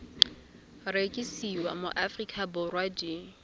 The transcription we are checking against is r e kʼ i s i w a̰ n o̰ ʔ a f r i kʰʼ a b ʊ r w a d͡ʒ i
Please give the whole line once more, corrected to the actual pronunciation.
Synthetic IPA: r e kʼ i s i w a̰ m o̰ ʔ a f r i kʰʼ a b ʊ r w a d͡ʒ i